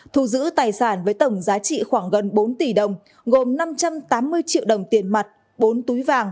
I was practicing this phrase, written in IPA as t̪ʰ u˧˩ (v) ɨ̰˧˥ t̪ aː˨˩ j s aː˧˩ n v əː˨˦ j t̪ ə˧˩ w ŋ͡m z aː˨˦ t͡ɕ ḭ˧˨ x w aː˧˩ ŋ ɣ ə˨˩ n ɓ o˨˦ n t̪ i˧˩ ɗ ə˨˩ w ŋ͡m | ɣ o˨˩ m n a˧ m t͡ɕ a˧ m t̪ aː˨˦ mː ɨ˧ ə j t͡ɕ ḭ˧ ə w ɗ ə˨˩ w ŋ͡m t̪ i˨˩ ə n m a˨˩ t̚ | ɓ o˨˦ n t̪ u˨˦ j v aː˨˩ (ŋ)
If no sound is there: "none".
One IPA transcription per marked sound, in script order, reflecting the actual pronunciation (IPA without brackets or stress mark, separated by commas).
z, ŋ